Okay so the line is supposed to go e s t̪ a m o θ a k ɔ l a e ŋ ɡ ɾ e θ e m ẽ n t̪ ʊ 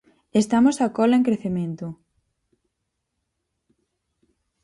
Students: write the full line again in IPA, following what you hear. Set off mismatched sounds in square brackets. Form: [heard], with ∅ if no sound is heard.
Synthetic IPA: e s t̪ a m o [s] a k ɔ l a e ŋ [k] ɾ e θ e m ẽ n t̪ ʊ